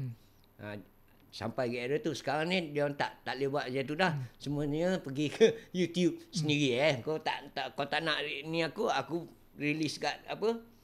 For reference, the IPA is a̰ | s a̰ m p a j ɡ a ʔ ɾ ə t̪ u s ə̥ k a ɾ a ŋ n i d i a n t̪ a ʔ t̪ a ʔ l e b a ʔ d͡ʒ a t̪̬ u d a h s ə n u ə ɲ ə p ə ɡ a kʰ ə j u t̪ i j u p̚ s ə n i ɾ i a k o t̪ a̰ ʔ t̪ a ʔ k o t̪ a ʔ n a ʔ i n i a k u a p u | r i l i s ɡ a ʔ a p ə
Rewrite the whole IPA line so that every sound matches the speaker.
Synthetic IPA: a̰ | s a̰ m p a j ɡ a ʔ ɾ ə t̪ u s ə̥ k a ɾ a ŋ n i d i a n t̪ a ʔ t̪ a ʔ l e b a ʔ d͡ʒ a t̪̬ u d a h s ə m u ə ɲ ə p ə ɡ i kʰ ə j u t̪ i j u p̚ s ə n i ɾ i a k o t̪ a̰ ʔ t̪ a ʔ k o t̪ a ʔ n a ʔ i n i a k u a k u | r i l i s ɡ a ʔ a p ə